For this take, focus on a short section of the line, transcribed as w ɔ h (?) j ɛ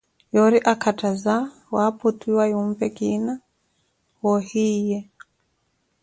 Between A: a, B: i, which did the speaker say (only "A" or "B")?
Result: B